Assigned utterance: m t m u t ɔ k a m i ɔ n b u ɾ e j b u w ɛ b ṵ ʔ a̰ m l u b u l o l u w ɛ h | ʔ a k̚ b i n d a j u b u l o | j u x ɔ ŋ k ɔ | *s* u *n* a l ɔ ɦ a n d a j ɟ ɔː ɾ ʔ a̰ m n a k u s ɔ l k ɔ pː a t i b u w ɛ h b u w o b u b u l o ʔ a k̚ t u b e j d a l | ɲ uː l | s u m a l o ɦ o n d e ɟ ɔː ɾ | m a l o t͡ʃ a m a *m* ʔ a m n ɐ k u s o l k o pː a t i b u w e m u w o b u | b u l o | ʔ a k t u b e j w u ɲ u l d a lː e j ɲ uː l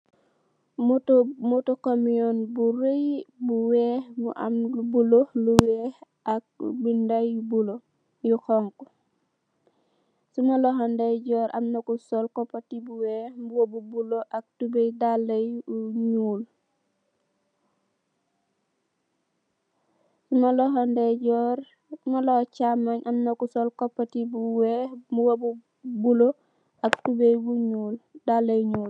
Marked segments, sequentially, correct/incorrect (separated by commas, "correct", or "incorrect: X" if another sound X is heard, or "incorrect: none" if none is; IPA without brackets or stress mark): correct, incorrect: m, incorrect: ɲ